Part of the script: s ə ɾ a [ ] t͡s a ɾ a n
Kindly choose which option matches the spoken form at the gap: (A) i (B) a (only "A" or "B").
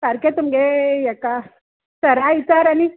A